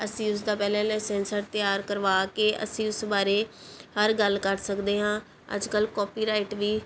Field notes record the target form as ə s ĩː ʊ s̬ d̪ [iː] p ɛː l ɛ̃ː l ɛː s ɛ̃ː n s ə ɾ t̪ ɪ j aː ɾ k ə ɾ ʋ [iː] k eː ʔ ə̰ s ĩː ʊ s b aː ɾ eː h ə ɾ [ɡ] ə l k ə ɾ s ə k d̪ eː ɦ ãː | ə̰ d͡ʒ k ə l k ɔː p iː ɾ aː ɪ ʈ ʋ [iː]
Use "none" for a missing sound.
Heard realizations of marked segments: aː, aː, ɡ, iː

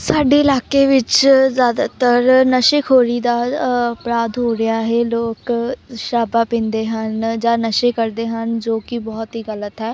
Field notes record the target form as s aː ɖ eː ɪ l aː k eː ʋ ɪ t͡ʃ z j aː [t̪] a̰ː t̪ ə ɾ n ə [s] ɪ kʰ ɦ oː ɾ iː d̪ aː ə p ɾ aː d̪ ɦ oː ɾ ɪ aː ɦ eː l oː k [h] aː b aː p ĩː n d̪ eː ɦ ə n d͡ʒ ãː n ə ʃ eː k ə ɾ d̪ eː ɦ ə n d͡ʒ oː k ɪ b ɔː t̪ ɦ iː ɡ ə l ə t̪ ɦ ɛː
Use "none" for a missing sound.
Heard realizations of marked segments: d̪, ʃ, ʃ

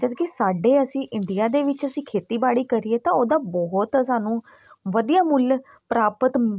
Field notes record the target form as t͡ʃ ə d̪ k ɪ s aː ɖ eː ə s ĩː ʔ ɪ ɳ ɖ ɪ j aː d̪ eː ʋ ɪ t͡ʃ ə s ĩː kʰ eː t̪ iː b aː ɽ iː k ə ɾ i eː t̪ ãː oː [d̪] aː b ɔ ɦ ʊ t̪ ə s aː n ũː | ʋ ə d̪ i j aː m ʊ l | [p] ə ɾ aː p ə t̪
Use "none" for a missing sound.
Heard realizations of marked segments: d̪, p

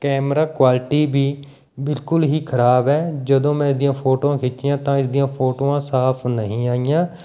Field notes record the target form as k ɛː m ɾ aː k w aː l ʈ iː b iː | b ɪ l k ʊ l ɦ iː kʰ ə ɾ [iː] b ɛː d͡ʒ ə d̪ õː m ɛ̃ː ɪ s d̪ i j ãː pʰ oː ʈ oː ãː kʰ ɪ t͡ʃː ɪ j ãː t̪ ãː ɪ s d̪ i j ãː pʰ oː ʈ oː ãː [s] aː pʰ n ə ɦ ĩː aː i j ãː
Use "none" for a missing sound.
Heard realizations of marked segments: aː, s

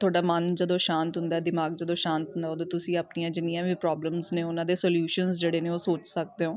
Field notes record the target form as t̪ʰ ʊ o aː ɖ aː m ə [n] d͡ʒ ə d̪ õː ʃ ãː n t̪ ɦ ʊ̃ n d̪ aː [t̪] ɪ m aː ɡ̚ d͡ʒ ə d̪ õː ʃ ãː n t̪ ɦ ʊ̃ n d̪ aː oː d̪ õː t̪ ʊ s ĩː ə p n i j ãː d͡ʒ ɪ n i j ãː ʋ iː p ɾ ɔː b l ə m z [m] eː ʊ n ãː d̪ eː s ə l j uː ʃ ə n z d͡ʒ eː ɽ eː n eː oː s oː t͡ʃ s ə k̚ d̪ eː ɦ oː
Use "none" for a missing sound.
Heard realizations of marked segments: n, d̪, n

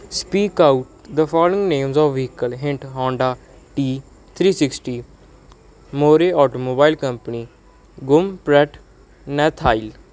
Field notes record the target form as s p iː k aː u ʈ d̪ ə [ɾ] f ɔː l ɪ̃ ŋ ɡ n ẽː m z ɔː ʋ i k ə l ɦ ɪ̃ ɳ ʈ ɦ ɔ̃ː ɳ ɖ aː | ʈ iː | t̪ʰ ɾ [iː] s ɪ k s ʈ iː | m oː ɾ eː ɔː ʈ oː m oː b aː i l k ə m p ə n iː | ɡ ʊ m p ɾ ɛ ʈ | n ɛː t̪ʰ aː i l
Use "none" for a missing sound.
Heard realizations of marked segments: none, iː

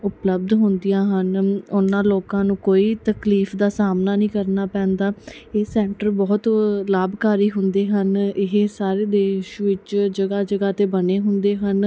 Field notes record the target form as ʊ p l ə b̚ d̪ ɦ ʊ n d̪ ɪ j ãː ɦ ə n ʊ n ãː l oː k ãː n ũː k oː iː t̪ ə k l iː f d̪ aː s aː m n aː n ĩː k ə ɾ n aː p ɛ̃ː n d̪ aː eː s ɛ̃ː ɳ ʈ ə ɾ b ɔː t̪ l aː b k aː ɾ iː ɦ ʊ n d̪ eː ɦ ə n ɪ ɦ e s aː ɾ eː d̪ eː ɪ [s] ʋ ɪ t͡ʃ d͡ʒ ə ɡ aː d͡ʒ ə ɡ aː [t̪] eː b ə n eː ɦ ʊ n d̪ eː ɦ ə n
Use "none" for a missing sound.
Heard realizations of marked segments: ʃ, t̪

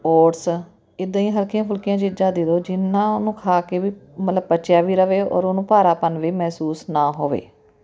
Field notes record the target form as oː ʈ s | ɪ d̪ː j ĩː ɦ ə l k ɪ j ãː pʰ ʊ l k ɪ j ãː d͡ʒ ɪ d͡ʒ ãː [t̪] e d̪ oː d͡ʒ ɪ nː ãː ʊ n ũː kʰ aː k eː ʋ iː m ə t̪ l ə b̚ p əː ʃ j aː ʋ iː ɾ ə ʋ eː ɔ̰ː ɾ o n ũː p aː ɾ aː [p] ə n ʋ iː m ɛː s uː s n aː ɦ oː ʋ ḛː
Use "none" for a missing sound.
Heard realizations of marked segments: d̪, p

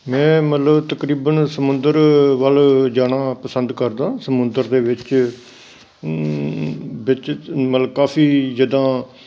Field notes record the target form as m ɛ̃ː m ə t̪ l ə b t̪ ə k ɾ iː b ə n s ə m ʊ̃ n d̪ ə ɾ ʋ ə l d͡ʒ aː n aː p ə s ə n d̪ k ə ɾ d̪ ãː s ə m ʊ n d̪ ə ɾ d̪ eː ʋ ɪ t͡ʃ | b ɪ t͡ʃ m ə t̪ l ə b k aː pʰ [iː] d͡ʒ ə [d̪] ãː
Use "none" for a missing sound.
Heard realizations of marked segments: iː, d̪

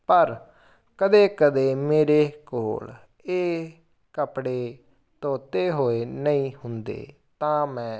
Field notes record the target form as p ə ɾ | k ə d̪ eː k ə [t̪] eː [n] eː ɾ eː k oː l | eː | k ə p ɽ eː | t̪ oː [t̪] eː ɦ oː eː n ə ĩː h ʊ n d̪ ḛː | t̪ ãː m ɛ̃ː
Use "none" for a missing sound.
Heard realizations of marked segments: d̪, m, t̪

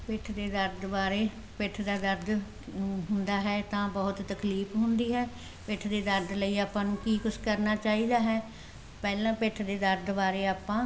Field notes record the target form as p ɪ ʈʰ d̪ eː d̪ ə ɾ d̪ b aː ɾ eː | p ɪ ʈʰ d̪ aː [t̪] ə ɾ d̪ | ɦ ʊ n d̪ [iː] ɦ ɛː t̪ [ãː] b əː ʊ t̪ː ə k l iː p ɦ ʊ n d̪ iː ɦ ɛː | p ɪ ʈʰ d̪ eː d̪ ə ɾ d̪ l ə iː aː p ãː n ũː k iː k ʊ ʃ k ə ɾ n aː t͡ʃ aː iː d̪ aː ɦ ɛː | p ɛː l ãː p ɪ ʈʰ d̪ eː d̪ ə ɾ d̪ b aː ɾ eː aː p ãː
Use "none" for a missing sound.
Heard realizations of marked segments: d̪, aː, ãː

